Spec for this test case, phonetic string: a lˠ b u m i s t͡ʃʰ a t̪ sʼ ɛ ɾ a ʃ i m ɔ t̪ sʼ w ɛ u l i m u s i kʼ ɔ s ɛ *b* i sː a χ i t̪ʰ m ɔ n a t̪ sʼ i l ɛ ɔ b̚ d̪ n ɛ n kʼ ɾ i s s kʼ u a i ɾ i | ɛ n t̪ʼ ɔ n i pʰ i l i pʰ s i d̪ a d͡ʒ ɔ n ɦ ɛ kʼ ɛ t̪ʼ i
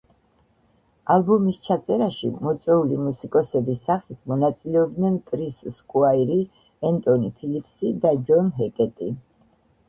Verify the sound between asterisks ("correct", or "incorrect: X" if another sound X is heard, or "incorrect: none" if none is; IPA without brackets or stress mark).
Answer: correct